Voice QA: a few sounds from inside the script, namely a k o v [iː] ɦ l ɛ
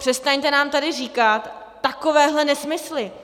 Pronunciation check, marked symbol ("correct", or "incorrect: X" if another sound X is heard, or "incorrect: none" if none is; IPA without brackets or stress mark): incorrect: ɛː